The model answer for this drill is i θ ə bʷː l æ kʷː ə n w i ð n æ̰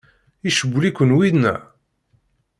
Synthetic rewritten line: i ʃ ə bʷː l i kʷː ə n w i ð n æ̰

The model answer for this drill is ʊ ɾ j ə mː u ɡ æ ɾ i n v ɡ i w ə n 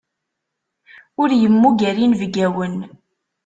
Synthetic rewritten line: ʊ ɾ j ə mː u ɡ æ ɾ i n v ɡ æ w ə n

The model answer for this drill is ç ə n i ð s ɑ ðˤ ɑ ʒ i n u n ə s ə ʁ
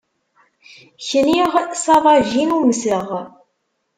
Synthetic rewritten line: ç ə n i ʁ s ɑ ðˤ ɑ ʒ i n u m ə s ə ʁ

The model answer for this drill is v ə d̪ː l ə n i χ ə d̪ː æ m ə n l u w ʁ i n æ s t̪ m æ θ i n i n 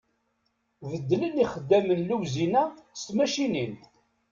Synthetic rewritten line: v ə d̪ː l ə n i χ ə d̪ː æ m ə n l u w z i n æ s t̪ m æ ʃ i n i n

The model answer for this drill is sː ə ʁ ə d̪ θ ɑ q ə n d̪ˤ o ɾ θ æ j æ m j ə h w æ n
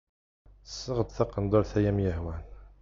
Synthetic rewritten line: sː ə ʁ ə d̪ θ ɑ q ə n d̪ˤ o ɾ θ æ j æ m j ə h w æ n

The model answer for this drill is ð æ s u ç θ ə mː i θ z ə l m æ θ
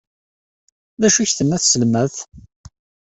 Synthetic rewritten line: ð æ ʃ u ç θ ə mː æ θ s ə l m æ θ

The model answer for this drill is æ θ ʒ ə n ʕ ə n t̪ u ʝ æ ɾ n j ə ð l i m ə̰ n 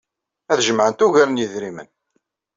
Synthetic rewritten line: æ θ ʒ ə m ʕ ə n t̪ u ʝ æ ɾ n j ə ð ɾ i m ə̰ n

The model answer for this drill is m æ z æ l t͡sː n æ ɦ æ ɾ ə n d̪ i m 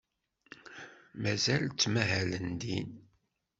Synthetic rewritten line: m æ z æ l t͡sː m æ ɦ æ l ə n d̪ i n

